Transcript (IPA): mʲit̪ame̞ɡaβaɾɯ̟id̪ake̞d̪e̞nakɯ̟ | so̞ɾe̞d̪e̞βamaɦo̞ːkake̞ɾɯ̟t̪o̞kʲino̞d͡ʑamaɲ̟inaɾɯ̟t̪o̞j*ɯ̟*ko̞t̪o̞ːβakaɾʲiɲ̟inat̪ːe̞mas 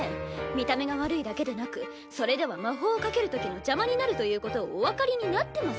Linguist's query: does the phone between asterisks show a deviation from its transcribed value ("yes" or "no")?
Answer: yes